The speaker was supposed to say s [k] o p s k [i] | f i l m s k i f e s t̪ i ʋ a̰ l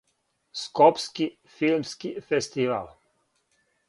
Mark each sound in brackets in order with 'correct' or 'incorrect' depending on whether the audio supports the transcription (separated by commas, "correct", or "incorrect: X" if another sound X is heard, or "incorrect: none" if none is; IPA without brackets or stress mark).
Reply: correct, correct